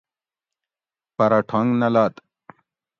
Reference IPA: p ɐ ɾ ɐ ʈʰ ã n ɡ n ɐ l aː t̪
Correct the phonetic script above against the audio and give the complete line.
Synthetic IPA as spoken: p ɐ ɾ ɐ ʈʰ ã ŋ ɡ n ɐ l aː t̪